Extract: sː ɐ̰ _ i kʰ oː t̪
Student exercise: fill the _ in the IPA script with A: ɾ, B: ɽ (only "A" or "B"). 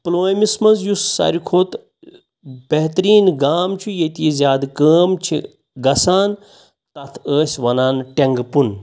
A